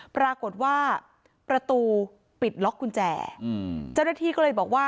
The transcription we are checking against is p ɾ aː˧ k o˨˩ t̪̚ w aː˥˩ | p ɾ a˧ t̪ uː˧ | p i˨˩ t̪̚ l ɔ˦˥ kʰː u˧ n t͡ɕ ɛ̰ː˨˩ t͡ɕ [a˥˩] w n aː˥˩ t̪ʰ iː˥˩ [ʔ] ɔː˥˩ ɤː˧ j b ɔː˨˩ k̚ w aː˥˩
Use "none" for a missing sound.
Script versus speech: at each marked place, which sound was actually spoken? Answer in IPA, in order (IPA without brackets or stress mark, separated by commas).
a˥˩, k